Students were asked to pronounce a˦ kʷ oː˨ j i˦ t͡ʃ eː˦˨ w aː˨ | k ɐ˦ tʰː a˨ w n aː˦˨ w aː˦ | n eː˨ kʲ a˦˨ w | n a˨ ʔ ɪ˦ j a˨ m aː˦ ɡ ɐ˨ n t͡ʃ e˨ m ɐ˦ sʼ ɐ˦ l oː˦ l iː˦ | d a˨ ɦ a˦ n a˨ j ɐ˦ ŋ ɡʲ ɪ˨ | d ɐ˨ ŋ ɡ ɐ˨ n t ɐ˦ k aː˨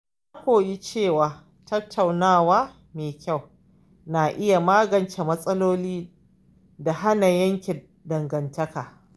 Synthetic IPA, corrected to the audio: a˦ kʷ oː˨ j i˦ t͡ʃ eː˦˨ w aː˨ | t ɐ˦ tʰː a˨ w n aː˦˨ w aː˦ | m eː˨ kʲ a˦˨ w | n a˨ ʔ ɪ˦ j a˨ m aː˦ ɡ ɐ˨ n t͡ʃ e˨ m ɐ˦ sʼ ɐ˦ l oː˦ l iː˦ | d a˨ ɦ a˦ n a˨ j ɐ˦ ŋ kʲ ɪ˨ | d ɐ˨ ŋ ɡ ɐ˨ n t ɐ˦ k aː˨

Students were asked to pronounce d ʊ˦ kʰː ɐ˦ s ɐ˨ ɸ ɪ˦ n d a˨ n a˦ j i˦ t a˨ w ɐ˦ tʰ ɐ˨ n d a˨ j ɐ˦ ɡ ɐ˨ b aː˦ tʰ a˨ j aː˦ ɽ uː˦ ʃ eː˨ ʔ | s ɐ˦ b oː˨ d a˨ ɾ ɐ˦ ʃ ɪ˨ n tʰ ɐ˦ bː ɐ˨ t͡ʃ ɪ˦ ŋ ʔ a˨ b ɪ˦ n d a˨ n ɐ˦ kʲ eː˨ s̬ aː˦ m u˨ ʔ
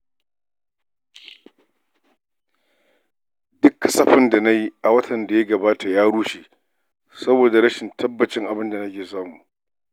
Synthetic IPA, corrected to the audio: d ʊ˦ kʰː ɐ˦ s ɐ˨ ɸ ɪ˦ n d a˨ n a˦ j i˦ ʔ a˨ w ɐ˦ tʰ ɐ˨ n d a˨ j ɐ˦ ɡ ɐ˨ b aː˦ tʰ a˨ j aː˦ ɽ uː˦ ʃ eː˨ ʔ | s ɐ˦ b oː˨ d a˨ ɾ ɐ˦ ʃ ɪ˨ n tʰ ɐ˦ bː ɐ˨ t͡ʃ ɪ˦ ŋ ʔ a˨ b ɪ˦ n d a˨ n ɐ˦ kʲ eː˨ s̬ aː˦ m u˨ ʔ

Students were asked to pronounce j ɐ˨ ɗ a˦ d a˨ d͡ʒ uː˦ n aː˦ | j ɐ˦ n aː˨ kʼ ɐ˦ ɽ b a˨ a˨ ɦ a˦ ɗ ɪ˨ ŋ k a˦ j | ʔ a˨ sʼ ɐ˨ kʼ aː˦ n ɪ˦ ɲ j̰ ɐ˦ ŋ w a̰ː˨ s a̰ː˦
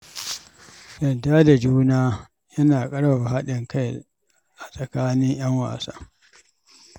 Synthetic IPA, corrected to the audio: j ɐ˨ d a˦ d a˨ d͡ʒ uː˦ n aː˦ | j ɐ˦ n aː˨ kʼ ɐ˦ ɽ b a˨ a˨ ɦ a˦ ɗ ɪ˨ ŋ k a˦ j | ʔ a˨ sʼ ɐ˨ k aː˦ n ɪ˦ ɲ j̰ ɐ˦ ŋ w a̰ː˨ s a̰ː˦

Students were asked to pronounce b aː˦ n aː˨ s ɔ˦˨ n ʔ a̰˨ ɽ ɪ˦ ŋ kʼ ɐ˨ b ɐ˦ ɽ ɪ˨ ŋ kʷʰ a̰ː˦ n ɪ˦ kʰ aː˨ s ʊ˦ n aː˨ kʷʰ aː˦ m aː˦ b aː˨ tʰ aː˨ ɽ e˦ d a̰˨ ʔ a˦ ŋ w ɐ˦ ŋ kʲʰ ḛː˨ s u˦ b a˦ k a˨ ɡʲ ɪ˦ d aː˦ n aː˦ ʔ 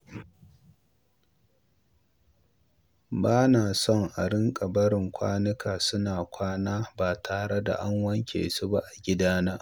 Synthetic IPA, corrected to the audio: b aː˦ n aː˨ s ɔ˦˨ ŋ ʔ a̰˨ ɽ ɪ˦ ŋ kʼ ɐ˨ b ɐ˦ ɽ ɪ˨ ŋ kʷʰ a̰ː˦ n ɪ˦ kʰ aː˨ s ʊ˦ n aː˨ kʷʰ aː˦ n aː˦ b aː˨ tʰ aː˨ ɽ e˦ d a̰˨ ʔ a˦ ŋ w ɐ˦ ŋ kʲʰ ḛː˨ s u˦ b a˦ ʔ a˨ ɡʲ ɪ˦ d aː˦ n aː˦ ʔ

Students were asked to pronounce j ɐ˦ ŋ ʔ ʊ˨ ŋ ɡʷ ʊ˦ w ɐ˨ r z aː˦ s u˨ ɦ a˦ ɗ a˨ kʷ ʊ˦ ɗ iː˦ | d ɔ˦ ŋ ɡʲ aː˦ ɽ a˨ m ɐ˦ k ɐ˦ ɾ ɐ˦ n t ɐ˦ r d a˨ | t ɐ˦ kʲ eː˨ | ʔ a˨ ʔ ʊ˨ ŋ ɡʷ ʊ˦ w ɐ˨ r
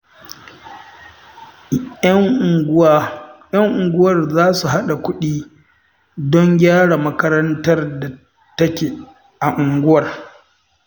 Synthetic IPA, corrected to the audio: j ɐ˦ ŋ ʔ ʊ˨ ŋ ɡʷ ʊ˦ w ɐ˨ r z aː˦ s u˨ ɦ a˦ ɗ a˨ kʷ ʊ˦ ɗ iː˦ | d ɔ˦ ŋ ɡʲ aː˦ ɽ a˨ m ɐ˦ k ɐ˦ ɾ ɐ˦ n t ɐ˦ r d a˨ | t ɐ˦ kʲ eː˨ | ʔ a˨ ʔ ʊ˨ ŋ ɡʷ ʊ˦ w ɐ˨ r

